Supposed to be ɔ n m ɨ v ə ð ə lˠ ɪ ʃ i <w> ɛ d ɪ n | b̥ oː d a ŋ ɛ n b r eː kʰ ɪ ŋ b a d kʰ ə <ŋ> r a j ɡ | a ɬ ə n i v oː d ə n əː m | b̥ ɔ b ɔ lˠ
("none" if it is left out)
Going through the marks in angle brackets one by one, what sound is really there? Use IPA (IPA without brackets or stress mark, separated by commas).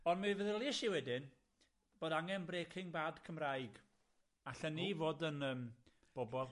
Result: w, m